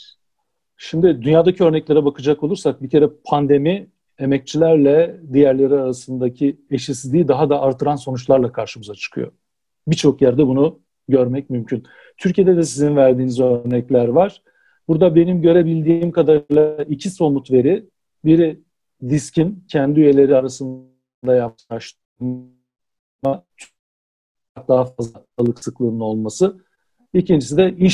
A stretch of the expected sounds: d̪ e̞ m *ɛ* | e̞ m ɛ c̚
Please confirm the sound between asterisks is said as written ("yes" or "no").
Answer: no